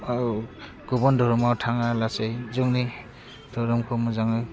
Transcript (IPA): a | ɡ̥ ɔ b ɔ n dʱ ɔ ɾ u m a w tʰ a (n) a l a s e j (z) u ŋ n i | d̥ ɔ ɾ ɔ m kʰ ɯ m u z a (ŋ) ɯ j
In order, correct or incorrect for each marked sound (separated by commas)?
incorrect, correct, correct